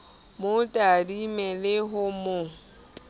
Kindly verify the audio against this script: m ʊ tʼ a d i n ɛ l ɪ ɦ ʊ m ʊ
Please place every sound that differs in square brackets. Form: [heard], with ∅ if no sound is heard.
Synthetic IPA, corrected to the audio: m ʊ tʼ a d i [m] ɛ l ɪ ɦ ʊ m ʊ